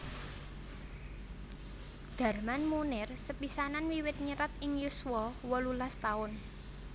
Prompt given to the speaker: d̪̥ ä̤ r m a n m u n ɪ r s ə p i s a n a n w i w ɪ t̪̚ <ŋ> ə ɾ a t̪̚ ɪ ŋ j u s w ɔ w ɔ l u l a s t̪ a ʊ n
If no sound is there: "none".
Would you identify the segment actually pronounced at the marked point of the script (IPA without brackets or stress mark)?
ɲ